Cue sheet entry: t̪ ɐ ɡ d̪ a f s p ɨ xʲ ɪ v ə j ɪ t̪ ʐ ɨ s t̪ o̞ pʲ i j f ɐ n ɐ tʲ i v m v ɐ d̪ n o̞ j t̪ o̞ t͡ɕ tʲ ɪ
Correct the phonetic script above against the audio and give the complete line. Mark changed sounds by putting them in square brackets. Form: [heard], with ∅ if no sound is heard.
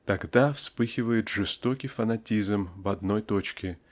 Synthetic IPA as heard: t̪ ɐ ɡ d̪ a f s p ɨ xʲ ɪ v ə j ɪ t̪ ʐ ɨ s t̪ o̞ [kʲ] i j f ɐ n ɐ tʲ i [z] m v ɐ d̪ n o̞ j t̪ o̞ t͡ɕ [kʲ] ɪ